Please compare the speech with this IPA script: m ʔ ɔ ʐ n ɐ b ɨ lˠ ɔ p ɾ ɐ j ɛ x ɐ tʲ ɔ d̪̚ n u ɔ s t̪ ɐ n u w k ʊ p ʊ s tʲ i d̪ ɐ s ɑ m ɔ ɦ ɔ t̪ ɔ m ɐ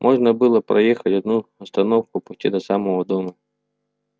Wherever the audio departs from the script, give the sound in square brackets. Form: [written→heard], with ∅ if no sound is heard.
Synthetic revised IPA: m ʔ ɔ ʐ n ɐ b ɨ lˠ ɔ p ɾ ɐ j ɛ x ɐ tʲ ɔ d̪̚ n u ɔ s t̪ ɐ n [u→ɔ] w k ʊ p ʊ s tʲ i d̪ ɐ s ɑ m ɔ ɦ ɔ [t̪→d̪] ɔ m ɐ